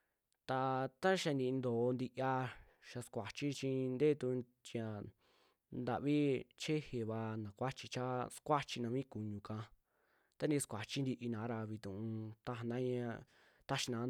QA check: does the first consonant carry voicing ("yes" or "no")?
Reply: no